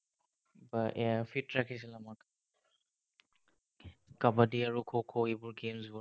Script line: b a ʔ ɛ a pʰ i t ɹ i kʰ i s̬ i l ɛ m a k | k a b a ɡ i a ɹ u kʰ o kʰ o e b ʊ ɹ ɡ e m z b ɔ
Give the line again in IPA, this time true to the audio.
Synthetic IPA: b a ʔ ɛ a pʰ i t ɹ a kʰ i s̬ i l a m a k | k a b a d i a ɹ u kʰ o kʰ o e b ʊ ɹ ɡ e m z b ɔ